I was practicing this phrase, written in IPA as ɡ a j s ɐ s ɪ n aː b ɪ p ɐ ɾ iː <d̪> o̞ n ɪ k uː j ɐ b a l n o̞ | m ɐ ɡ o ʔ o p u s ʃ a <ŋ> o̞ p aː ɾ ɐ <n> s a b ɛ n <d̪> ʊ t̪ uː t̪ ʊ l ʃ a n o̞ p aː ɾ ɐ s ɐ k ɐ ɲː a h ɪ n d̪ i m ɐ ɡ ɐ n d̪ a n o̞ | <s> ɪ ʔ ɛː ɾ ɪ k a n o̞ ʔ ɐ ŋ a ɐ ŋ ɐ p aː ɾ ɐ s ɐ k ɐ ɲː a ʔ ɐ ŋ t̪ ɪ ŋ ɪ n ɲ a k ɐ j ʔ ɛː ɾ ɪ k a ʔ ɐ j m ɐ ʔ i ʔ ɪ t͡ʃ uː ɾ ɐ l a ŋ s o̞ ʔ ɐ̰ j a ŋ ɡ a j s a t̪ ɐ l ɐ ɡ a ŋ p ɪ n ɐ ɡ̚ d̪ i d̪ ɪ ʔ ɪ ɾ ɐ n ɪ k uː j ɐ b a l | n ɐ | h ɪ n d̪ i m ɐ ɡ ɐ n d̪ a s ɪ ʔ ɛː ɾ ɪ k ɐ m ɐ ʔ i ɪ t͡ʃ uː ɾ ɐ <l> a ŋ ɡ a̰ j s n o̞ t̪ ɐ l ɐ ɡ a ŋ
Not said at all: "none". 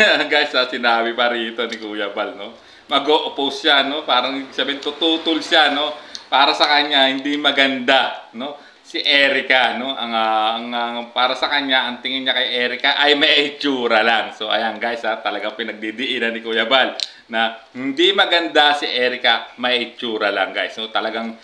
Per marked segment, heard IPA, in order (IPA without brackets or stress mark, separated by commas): t̪, n, ŋ, t̪, s, l